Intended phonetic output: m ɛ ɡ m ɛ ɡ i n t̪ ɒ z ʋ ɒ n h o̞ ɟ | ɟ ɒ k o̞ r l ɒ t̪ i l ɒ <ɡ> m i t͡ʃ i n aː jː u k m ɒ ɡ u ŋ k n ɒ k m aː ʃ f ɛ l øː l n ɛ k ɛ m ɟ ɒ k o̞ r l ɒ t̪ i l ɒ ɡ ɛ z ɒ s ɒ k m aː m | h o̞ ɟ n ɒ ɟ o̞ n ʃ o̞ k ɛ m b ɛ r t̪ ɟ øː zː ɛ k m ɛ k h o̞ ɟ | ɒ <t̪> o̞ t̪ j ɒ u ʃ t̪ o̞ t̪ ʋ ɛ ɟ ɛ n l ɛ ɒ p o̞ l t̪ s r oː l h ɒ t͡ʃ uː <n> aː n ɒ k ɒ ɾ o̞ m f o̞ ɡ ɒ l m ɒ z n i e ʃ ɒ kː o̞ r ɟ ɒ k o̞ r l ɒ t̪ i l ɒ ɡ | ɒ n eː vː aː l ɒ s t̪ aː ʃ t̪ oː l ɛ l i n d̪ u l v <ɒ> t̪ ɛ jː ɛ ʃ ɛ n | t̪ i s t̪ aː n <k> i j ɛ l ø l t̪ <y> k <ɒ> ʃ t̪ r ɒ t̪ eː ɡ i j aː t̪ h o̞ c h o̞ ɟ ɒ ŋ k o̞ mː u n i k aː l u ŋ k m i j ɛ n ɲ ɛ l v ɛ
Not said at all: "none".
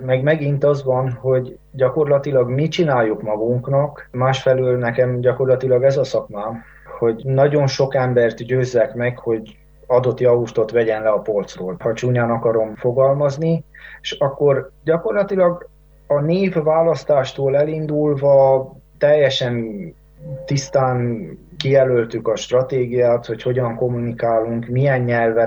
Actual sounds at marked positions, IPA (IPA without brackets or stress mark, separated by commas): ɡ, d̪, ɲ, ɒ, k, y, ɒ